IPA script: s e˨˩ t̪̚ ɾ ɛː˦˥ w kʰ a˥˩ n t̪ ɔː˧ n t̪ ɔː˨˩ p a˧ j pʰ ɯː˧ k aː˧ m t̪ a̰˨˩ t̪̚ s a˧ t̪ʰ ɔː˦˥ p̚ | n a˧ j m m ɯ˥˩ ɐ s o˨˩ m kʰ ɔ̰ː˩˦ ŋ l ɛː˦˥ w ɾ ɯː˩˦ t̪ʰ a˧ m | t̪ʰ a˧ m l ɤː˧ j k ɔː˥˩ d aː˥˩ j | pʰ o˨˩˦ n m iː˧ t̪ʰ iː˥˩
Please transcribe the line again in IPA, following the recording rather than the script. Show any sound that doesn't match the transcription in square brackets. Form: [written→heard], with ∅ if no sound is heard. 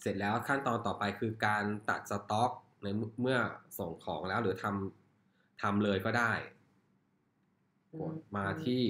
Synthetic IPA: s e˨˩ t̪̚ [ɾ→l] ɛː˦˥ w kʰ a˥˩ n t̪ ɔː˧ n t̪ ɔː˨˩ p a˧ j [pʰ→kʰ] ɯː˧ k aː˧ [m→n] t̪ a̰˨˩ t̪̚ s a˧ [t̪ʰ→t̪] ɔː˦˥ [p̚→k̚] | n a˧ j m m ɯ˥˩ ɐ s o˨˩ [m→ŋ] kʰ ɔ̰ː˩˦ ŋ l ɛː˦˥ w ɾ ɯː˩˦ t̪ʰ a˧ m | t̪ʰ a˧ m l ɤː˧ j k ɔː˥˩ d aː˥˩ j | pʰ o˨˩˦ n m [iː˧→aː˧] t̪ʰ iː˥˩